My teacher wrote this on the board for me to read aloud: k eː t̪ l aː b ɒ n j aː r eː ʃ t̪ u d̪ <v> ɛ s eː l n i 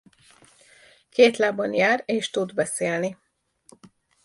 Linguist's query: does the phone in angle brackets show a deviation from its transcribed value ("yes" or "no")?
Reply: yes